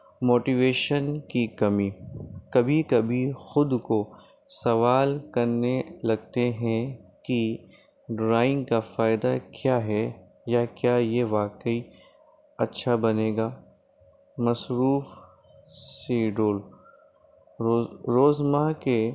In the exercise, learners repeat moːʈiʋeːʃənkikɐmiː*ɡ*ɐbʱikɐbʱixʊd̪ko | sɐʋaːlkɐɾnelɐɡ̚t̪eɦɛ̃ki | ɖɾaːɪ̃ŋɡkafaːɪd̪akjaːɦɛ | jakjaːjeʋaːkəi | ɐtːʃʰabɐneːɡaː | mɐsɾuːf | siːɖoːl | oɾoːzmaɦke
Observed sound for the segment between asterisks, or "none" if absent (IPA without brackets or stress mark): k